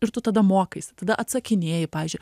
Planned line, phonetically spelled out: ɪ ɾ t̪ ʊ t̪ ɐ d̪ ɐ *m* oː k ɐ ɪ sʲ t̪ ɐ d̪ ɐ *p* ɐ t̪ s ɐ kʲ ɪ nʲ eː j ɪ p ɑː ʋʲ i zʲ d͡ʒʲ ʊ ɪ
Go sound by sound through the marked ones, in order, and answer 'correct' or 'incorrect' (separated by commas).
correct, incorrect